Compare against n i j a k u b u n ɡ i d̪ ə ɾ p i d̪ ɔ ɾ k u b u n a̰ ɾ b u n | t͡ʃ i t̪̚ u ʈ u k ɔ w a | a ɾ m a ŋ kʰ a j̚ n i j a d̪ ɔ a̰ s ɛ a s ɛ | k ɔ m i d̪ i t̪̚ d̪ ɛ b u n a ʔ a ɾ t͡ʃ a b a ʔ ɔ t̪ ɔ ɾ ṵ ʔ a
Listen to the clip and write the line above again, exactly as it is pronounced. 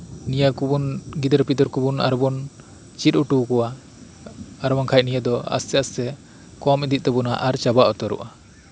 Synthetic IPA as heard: n i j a k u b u n ɡ i d̪ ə ɾ p i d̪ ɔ ɾ k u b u n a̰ ɾ b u n | t͡ʃ i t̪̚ u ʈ u k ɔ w a | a ɾ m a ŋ kʰ a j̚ n i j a d̪ ɔ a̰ s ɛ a s ɛ | k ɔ m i d̪ i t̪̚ t̪ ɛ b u n a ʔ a ɾ t͡ʃ a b a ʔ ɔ t̪ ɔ ɾ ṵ ʔ a

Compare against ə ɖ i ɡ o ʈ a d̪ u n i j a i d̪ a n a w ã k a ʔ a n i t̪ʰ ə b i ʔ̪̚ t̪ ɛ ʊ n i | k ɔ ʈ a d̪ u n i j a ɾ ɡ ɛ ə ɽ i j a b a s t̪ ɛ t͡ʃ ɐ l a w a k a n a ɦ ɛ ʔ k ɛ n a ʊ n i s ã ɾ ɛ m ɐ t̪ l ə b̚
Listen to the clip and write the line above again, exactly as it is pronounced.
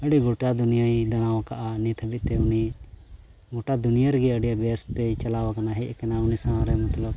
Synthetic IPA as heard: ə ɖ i ɡ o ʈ a d̪ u n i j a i d̪ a n a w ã k a ʔ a n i t̪ʰ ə b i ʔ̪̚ t̪ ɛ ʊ n i | ɡ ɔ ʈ a d̪ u n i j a ɾ ɡ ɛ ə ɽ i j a b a s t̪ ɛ t͡ʃ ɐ l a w a k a n a ɦ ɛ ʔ k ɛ n a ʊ n i s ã ɾ ɛ m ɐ t̪ l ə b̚

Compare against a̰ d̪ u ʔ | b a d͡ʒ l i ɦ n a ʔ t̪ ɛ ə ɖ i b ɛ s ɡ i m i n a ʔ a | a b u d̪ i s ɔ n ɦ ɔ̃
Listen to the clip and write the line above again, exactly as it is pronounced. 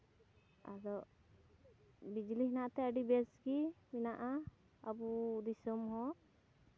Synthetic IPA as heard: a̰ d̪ ɔ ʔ | b i d͡ʒ l i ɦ n a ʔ t̪ ɛ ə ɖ i b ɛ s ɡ i m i n a ʔ a | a b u d̪ i s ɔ m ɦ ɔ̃

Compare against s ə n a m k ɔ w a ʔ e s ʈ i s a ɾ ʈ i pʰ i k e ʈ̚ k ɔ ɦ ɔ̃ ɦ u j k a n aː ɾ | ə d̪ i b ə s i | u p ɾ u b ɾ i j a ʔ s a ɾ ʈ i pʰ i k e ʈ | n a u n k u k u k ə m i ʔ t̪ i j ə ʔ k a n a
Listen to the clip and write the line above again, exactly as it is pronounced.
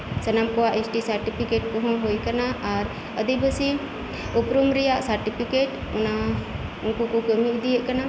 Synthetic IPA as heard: s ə n a m k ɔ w a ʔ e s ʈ i s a ɾ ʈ i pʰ i k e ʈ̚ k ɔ ɦ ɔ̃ ɦ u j k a n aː ɾ | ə d̪ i b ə s i | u p ɾ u m ɾ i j a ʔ s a ɾ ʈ i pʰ i k e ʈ | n a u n k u k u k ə m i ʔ d̪ i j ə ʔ k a n a

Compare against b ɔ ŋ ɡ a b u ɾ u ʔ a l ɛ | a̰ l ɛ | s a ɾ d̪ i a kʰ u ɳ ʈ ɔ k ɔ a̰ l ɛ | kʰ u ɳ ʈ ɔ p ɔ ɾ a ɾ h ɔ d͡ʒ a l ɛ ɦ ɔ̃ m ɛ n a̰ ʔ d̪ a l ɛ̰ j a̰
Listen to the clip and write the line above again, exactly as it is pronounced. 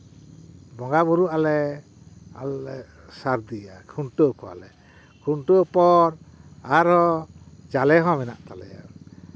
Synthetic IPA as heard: b ɔ ŋ ɡ a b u ɾ u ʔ a l ɛ | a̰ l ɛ | s a ɾ d̪ i a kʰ u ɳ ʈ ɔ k ɔ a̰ l ɛ | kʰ u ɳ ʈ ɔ p ɔ ɾ a ɾ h ɔ d͡ʒ a l ɛ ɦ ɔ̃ m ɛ n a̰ ʔ t̪ a l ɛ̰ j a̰

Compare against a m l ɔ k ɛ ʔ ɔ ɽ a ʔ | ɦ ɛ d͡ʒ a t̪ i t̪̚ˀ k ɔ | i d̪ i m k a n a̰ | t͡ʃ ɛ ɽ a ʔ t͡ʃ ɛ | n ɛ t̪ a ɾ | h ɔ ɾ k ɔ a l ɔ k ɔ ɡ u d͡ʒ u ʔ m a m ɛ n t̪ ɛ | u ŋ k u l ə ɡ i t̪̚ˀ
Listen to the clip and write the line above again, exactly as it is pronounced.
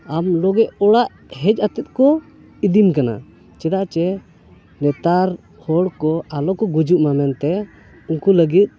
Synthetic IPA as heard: a m l ɔ ɡ ɛ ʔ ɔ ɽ a ʔ | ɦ ɛ d͡ʒ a t̪ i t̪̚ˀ k ɔ | i d̪ i m k a n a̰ | t͡ʃ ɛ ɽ a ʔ t͡ʃ ɛ | n ɛ t̪ a ɾ | h ɔ ɽ k ɔ a l ɔ k ɔ ɡ u d͡ʒ u ʔ m a m ɛ n t̪ ɛ | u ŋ k u l ə ɡ i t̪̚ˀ

